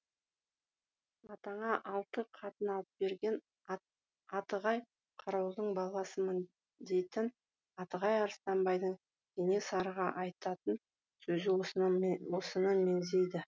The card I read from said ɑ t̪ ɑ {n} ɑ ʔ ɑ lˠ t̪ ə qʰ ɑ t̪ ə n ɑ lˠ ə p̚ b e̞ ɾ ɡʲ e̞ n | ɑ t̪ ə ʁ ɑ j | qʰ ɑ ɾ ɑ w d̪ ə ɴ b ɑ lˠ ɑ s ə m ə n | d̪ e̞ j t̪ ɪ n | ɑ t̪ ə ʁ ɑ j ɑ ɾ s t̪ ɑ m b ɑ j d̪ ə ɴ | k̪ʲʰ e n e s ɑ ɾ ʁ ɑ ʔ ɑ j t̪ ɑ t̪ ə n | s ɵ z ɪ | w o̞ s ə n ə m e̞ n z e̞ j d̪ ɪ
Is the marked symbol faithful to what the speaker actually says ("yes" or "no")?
no